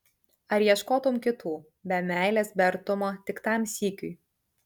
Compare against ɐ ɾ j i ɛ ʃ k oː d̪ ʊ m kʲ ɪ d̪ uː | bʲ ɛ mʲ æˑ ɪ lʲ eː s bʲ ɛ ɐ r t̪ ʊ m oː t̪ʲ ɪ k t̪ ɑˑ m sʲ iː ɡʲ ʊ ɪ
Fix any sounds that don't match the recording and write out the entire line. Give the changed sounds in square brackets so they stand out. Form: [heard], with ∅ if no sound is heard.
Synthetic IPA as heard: ɐ ɾ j i ɛ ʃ k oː [t̪] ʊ m kʲ ɪ [t̪] uː | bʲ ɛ mʲ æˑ ɪ lʲ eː s bʲ ɛ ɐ [ɾ] t̪ ʊ m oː t̪ʲ ɪ k t̪ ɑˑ m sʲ iː [kʲ] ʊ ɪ